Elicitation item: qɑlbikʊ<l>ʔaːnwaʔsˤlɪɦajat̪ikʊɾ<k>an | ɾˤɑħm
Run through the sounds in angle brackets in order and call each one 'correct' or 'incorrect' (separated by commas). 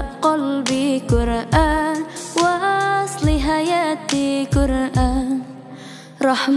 incorrect, incorrect